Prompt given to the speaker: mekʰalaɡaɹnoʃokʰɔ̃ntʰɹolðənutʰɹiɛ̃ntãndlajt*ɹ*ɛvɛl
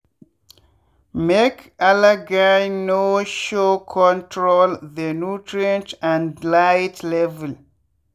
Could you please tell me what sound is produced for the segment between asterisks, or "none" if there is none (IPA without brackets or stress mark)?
l